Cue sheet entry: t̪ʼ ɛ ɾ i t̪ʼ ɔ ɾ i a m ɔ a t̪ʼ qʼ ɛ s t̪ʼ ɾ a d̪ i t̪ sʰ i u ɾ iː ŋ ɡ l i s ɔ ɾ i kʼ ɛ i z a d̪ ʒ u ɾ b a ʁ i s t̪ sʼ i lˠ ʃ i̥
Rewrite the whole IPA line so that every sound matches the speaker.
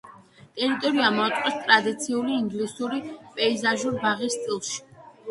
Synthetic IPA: t̪ʼ ɛ ɾ i t̪ʼ ɔ ɾ i a m ɔ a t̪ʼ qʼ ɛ s t̪ʼ ɾ a d̪ i t̪ sʰ i u l iː ŋ ɡ l i s u ɾ i pʼ ɛ i z a ʒ u ɾ b a ʁ i s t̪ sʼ i lˠ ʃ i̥